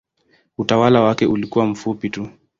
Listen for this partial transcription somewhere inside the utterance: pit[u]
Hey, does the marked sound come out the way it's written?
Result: yes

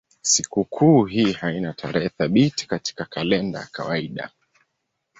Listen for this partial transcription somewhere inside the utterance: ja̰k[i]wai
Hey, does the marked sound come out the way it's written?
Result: no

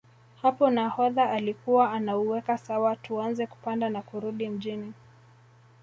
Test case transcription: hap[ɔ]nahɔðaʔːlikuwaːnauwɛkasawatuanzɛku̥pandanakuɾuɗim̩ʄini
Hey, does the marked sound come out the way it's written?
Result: yes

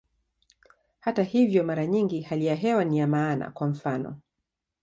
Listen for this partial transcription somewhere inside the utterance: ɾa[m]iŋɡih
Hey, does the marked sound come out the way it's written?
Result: no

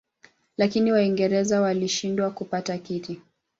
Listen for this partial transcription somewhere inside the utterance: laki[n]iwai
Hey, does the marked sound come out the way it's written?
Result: yes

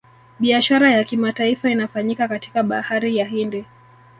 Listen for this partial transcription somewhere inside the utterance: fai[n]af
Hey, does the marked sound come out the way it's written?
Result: yes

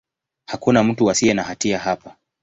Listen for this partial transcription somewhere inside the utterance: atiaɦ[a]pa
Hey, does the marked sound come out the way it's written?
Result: yes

